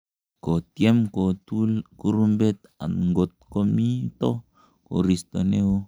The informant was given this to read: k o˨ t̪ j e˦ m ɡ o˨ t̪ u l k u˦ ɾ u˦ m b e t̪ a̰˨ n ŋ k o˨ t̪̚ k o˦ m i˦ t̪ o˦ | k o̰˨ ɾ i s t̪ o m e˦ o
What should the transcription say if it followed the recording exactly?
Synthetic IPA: k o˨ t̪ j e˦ m k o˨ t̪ u l k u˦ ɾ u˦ m b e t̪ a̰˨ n ŋ ɡ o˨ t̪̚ k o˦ m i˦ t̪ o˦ | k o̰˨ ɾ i s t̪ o n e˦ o